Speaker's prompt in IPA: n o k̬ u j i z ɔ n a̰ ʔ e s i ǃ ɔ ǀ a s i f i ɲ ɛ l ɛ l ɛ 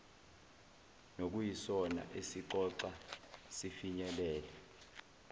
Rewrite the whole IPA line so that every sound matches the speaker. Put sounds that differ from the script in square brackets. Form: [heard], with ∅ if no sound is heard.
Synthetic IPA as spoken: n o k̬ u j i [s] ɔ n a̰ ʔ e s i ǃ ɔ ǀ a s i f i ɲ ɛ l [ɛː] l ɛ